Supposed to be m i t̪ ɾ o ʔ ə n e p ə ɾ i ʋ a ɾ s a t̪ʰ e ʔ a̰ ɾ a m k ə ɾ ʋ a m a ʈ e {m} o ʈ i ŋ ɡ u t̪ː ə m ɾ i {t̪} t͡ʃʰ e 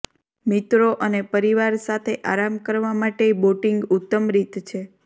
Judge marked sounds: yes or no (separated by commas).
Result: no, yes